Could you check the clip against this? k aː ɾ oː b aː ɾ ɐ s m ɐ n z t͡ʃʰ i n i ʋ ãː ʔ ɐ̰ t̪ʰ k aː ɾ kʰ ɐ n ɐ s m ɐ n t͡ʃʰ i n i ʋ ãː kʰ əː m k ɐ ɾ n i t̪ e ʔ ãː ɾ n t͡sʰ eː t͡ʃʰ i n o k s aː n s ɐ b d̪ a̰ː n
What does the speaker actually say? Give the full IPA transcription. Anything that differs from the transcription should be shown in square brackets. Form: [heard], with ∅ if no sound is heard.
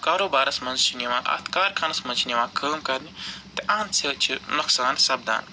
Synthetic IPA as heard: k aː ɾ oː b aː ɾ ɐ s m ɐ n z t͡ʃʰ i n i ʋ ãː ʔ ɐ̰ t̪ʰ k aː ɾ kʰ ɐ n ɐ s m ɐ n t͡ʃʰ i n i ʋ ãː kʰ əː m k ɐ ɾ n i t̪ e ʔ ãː [∅] n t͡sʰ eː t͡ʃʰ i n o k s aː n s ɐ b d̪ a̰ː n